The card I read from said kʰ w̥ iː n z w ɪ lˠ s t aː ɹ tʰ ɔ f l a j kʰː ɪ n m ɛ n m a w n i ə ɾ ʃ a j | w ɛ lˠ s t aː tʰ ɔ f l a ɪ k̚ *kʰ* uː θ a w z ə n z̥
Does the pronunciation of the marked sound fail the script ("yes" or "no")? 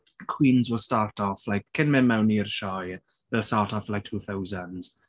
yes